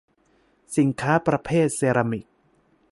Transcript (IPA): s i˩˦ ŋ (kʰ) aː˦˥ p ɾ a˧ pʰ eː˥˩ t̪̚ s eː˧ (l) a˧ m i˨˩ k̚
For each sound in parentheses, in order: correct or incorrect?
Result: correct, incorrect: ɾ

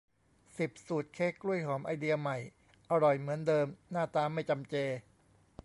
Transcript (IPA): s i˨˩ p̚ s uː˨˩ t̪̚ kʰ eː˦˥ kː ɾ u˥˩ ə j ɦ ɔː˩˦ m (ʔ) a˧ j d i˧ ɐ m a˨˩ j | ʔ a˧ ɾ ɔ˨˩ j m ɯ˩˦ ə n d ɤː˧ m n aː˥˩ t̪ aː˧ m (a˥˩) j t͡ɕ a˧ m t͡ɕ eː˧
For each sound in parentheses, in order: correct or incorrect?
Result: correct, correct

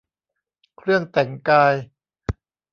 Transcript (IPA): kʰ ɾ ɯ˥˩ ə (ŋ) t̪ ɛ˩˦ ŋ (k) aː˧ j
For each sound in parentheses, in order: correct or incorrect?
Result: correct, correct

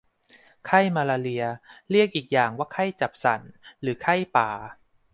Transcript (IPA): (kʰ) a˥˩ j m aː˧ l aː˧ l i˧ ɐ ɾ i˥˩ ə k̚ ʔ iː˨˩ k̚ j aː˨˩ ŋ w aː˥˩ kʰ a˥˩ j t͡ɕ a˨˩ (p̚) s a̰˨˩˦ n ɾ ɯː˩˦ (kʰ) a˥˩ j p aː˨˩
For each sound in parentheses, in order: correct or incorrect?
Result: correct, correct, correct

